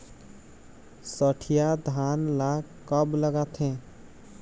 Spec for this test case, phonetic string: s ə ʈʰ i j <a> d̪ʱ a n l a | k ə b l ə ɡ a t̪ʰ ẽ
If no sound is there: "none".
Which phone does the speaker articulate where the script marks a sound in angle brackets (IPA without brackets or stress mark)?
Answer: a